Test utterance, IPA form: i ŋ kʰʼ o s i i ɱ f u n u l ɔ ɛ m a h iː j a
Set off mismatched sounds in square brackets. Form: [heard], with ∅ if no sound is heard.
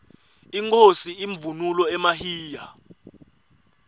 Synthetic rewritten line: i ŋ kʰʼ o s i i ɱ [v] u n u l ɔ ɛ m a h iː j a